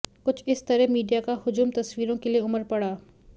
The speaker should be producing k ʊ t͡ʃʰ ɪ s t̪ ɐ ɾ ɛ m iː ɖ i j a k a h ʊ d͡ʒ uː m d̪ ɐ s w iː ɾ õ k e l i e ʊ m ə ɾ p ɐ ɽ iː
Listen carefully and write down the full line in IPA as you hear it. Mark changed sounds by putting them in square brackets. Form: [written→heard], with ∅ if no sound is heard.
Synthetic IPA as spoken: k ʊ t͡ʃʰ ɪ s t̪ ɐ ɾ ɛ m iː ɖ i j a k a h ʊ d͡ʒ uː m [d̪→t̪] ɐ s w iː ɾ õ k e l i e ʊ m ə ɾ p ɐ ɽ [iː→aː]